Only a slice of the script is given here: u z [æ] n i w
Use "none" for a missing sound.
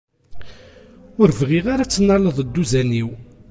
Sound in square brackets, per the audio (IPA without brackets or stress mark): æ